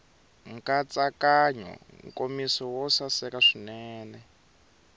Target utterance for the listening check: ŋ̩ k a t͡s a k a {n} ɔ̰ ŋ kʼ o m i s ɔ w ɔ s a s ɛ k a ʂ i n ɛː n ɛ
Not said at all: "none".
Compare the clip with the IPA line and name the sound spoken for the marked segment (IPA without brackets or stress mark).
ɲ